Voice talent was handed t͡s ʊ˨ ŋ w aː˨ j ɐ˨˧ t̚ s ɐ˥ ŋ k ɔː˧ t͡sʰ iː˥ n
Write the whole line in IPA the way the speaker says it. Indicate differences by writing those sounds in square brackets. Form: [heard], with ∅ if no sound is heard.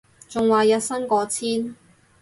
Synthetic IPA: t͡s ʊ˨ ŋ w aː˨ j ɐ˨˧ t̚ s ɐ˥ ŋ k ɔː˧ t͡sʰ iː˥ n